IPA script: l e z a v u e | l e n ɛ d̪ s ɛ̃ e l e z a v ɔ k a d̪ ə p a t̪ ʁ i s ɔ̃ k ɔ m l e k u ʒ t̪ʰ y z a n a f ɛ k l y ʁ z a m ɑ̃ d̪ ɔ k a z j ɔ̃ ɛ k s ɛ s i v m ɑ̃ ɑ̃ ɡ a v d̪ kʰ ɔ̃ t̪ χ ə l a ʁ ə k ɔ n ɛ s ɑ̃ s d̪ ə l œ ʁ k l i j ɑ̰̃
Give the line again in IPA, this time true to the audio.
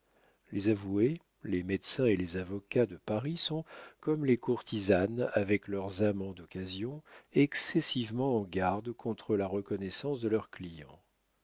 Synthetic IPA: l e z a v u e | l e m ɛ d̪ s ɛ̃ e l e z a v ɔ k a d̪ ə p a ʁ i s ɔ̃ k ɔ m l e k u ʁ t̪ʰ i z a n a v ɛ k l œ ʁ z a m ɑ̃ d̪ ɔ k a z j ɔ̃ ɛ k s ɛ s i v m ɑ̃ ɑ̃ ɡ a ʁ d̪ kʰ ɔ̃ t̪ χ ə l a ʁ ə k ɔ n ɛ s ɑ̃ s d̪ ə l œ ʁ k l i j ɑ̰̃

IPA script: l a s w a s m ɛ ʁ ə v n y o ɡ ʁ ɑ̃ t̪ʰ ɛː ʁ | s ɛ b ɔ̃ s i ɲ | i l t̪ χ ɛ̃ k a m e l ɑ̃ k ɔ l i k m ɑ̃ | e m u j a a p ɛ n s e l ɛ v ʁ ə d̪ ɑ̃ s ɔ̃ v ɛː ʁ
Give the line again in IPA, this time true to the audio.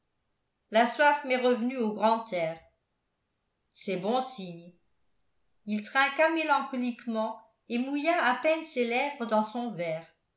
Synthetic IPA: l a s w a f m ɛ ʁ ə v n y o ɡ ʁ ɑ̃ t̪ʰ ɛː ʁ | s ɛ b ɔ̃ s i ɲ | i l t̪ χ ɛ̃ k a m e l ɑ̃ k ɔ l i k m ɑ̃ | e m u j a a p ɛ n s e l ɛ v ʁ ə d̪ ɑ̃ s ɔ̃ v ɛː ʁ

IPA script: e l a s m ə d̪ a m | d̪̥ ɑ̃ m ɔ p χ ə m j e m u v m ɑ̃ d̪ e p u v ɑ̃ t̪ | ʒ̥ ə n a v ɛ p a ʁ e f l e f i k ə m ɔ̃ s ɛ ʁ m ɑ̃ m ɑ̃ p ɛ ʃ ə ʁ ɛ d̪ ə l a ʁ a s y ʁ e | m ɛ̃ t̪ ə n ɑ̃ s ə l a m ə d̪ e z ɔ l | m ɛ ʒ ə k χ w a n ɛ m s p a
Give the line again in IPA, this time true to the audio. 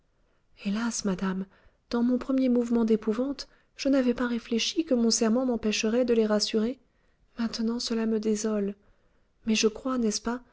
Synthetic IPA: e l a s m a d̪ a m | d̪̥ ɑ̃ m ɔ̃ p χ ə m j e m u v m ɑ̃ d̪ e p u v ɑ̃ t̪ | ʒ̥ ə n a v ɛ p a ʁ e f l e ʃ i k ə m ɔ̃ s ɛ ʁ m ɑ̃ m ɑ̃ p ɛ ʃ ə ʁ ɛ d̪ ə l e ʁ a s y ʁ e | m ɛ̃ t̪ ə n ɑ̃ s ə l a m ə d̪ e z ɔ l | m ɛ ʒ ə k χ w a n ɛ s p a

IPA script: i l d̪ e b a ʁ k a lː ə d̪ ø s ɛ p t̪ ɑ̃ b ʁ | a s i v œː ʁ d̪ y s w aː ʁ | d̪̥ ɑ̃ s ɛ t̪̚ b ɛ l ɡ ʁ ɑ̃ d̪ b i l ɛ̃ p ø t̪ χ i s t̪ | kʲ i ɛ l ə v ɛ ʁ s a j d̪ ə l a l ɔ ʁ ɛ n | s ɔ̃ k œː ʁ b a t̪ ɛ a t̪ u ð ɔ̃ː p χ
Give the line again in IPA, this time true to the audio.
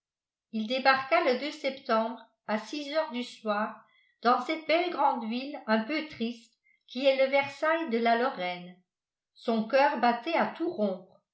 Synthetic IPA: i l d̪ e b a ʁ k a l ə d̪ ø s ɛ p t̪ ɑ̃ b ʁ | a s i z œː ʁ d̪ y s w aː ʁ | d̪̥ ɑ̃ s ɛ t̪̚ b ɛ l ɡ ʁ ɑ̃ d̪ v i l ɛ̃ p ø t̪ χ i s t̪ | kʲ i ɛ l ə v ɛ ʁ s a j d̪ ə l a l ɔ ʁ ɛ n | s ɔ̃ k œː ʁ b a t̪ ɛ a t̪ u ʁ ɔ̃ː p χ

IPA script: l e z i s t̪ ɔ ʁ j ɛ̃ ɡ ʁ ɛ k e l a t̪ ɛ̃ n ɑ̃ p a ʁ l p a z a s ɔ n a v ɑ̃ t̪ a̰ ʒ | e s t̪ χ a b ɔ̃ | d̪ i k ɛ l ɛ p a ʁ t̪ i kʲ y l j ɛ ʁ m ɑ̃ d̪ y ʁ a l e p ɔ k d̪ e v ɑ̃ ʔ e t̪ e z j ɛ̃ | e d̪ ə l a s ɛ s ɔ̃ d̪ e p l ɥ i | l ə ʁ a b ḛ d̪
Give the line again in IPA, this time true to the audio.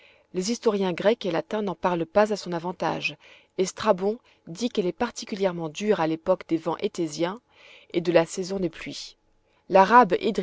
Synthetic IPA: l e z i s t̪ ɔ ʁ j ɛ̃ ɡ ʁ ɛ k e l a t̪ ɛ̃ n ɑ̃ p a ʁ l p a z a s ɔ̃ n a v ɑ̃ t̪ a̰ ʒ | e s t̪ χ a b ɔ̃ | d̪ i k ɛ l ɛ p a ʁ t̪ i kʲ y l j ɛ ʁ m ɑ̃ d̪ y ʁ a l e p ɔ k d̪ e v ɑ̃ ʔ e t̪ e z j ɛ̃ | e d̪ ə l a s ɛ z ɔ̃ d̪ e p l ɥ i | l a ʁ a b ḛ d̪

